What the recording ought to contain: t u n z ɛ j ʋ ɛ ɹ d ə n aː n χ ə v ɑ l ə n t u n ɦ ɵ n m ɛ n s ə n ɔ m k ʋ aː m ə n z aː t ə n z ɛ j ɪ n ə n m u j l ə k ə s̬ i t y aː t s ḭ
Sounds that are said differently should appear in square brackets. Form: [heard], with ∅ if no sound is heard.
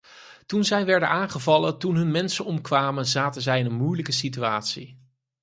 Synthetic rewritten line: t u n z ɛ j ʋ ɛ ɹ d ə n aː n χ ə v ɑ l ə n t u n ɦ ɵ n m ɛ n s ə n ɔ m k ʋ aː m ə n z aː t ə n z ɛ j ɪ n ə n m u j l ə k ə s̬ i t y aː t s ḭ